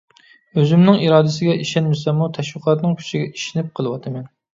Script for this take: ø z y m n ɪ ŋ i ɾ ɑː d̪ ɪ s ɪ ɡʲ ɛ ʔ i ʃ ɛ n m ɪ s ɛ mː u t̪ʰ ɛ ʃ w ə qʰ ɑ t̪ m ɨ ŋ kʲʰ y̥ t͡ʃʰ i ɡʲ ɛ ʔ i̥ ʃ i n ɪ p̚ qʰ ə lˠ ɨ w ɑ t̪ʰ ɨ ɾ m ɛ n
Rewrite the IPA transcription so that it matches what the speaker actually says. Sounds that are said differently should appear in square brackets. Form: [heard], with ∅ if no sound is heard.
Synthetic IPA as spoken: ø z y m n ɪ ŋ i ɾ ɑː d̪ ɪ s ɪ ɡʲ ɛ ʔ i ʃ ɛ n m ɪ s ɛ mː u t̪ʰ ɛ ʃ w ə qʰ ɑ t̪ [n] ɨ ŋ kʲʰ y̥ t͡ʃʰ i ɡʲ ɛ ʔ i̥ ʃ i n ɪ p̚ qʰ ə lˠ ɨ w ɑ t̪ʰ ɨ [∅] m ɛ n

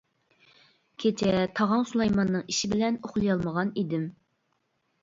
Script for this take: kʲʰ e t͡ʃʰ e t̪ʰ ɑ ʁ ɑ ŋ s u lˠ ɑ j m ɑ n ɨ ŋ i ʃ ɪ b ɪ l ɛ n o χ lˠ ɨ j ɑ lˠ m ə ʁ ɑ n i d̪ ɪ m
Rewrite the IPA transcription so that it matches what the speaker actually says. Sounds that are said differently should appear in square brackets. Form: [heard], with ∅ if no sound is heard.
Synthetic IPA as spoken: kʲʰ e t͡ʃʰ [ɛ] t̪ʰ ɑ ʁ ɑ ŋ s u lˠ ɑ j m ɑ [nː] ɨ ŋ i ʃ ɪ b ɪ l ɛ n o χ lˠ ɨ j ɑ lˠ m ə ʁ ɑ n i d̪ ɪ m

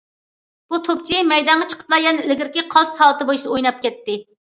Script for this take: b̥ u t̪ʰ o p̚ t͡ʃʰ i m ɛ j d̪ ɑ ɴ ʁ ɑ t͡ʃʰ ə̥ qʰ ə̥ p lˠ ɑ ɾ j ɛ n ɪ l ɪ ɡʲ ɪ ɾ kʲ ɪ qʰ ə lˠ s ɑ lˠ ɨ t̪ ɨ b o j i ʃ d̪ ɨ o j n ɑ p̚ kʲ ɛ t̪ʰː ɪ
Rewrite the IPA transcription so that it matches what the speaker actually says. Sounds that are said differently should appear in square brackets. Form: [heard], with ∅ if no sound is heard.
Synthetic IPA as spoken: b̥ u t̪ʰ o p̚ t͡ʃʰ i m ɛ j d̪ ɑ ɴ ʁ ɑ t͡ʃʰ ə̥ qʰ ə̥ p lˠ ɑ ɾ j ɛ n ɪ l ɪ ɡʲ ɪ ɾ kʲ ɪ qʰ [ɑ] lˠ s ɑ lˠ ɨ t̪ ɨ b o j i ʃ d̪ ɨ o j n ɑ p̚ kʲ ɛ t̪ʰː ɪ

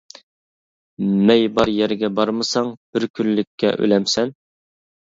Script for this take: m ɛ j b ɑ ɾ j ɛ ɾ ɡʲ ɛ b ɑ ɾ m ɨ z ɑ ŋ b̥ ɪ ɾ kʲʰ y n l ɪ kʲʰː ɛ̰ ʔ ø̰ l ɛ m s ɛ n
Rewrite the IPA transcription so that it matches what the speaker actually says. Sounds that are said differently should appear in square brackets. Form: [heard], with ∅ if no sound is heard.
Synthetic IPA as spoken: m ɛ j b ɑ ɾ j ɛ ɾ ɡʲ ɛ b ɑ ɾ m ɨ [s] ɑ ŋ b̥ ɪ ɾ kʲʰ y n l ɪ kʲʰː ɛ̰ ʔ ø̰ l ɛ m s ɛ n

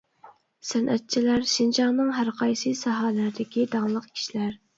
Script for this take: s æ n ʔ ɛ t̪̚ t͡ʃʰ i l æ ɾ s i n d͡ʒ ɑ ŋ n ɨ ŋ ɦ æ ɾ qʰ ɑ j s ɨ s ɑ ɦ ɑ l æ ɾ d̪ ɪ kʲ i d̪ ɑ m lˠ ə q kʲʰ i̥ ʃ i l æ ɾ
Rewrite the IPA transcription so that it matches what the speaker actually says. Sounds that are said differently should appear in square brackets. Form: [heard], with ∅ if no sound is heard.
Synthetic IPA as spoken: s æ n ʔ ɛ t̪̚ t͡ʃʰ i l æ ɾ [ʃ] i n d͡ʒ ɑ ŋ n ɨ ŋ ɦ æ ɾ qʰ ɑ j s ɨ s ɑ ɦ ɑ l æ ɾ d̪ ɪ kʲ i d̪ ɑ [ŋ] lˠ ə q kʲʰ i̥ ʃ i l æ ɾ

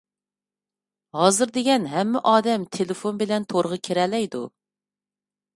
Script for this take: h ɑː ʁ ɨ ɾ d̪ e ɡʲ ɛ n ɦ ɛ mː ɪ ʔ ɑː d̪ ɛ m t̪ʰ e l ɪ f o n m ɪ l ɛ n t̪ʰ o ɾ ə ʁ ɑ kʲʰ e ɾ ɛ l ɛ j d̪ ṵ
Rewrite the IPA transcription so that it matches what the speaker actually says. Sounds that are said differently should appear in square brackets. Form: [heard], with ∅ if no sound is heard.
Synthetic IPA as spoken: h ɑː [z] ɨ ɾ d̪ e ɡʲ ɛ n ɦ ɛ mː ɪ ʔ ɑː d̪ ɛ m t̪ʰ e l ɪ f o n [b] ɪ l ɛ n t̪ʰ o ɾ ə ʁ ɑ kʲʰ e ɾ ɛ l ɛ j d̪ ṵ

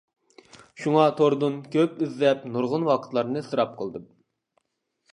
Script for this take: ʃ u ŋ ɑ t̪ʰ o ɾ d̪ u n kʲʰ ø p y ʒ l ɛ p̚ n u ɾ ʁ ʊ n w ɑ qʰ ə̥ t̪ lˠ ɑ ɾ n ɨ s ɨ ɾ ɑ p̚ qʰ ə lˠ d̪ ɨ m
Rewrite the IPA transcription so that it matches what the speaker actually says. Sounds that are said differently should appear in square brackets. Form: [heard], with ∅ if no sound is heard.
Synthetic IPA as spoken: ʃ u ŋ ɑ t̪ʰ o ɾ d̪ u n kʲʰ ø p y [z] l ɛ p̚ n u ɾ ʁ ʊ n w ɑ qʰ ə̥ t̪ lˠ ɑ ɾ n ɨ s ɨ ɾ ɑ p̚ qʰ ə lˠ d̪ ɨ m

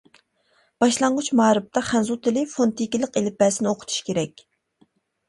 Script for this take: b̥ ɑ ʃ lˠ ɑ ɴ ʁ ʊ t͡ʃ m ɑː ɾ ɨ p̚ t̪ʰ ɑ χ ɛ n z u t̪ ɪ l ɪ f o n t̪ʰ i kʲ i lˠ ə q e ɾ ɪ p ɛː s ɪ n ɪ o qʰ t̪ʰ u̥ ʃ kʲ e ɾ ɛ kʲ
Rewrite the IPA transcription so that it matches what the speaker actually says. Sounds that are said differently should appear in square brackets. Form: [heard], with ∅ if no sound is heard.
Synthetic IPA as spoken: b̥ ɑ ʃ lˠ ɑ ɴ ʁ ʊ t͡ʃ m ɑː ɾ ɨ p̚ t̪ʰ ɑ χ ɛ n z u t̪ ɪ l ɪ f o n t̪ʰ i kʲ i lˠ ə q e [l] ɪ p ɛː s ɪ n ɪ o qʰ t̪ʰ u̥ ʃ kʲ e ɾ ɛ kʲ

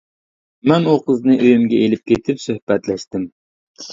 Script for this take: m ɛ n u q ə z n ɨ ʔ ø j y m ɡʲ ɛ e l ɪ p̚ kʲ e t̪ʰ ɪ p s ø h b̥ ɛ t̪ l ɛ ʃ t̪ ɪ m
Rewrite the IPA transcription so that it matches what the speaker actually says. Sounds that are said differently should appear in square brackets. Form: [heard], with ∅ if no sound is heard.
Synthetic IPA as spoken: m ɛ n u q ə z n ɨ ʔ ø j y m ɡʲ ɛ e l ɪ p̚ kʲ e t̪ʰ ɪ p s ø h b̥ ɛ t̪ l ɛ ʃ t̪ ɪ m

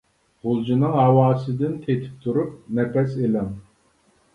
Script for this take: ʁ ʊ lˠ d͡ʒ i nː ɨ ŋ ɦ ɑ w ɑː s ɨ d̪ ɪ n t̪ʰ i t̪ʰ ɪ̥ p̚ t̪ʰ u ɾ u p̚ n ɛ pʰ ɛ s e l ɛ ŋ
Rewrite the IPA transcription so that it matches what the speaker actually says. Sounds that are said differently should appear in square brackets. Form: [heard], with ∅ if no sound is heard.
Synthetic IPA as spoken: ʁ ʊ lˠ d͡ʒ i [n] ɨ ŋ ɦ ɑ w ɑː s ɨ d̪ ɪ n t̪ʰ [e] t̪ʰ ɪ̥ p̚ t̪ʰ u ɾ u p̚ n ɛ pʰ ɛ s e l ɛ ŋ

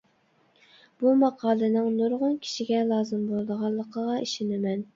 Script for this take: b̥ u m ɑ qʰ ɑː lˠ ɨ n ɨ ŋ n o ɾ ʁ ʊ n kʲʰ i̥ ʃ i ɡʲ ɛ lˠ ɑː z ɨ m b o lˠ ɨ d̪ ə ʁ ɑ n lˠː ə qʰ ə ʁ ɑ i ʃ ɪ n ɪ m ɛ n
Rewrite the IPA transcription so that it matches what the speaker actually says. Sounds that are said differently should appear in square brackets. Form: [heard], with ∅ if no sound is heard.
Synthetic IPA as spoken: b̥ u m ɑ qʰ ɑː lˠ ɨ n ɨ ŋ n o ɾ ʁ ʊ n kʲʰ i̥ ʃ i ɡʲ ɛ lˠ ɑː z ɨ m b o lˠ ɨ d̪ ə ʁ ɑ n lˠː ə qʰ ə ʁ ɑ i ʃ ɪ n ɪ m ɛ n

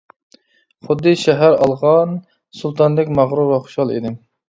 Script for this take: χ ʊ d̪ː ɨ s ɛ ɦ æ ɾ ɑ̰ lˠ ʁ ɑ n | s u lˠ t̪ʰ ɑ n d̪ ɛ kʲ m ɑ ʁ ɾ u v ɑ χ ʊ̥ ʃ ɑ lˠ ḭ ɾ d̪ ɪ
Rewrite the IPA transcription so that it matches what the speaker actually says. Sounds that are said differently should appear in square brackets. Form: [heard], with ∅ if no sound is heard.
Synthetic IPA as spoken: χ ʊ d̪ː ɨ [ʃ] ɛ ɦ æ ɾ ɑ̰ lˠ ʁ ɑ n | s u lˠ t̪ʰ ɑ n d̪ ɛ kʲ m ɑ ʁ ɾ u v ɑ χ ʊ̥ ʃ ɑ lˠ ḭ [∅] d̪ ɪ

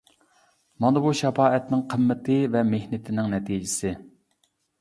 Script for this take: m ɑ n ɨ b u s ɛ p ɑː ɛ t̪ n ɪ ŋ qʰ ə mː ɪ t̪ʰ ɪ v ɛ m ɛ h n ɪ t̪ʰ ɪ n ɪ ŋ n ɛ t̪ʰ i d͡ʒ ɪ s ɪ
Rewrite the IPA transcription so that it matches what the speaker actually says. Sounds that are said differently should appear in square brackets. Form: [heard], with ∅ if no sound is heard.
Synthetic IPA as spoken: m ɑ n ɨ b u [ʃ] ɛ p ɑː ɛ t̪ n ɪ ŋ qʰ ə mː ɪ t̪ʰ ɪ v ɛ m [e] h n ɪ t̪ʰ ɪ n ɪ ŋ n ɛ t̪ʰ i d͡ʒ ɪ s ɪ

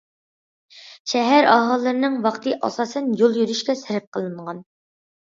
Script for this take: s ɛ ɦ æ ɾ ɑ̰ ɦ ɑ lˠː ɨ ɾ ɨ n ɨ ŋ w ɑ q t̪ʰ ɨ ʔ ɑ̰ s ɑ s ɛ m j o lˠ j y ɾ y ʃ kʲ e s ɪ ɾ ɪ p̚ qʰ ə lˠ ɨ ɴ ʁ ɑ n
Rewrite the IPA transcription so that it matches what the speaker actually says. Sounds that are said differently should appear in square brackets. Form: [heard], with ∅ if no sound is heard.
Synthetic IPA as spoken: [ʃ] ɛ ɦ æ ɾ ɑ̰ ɦ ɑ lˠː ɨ ɾ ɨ n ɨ ŋ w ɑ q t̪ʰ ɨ ʔ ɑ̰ s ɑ s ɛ [n] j o lˠ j y ɾ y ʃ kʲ [ɛ] s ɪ ɾ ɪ p̚ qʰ ə lˠ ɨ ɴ ʁ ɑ n

